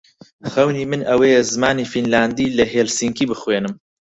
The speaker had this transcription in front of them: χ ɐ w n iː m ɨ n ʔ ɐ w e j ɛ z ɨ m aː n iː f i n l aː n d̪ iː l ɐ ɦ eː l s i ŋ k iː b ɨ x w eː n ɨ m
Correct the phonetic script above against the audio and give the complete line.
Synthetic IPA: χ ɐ w n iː m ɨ n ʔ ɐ w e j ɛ z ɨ m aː n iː f i n l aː n d̪ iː l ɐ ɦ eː l s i ŋ k iː b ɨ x w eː n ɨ m